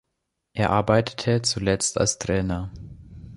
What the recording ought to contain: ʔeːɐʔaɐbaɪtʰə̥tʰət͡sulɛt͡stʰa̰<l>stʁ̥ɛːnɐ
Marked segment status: correct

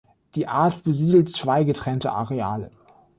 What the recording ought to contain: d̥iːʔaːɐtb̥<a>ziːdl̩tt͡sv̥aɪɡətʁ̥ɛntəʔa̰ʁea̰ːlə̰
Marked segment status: incorrect: ə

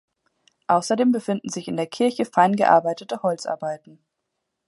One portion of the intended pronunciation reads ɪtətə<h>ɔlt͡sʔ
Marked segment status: correct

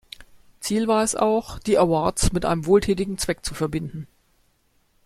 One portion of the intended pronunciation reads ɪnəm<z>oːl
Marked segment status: incorrect: v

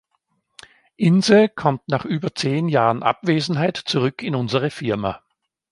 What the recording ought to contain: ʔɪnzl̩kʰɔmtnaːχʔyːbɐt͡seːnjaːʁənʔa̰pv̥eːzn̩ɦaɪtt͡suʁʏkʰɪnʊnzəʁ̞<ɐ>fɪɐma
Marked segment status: incorrect: ə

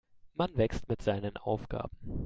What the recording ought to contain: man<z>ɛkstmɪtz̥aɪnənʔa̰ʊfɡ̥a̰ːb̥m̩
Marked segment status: incorrect: v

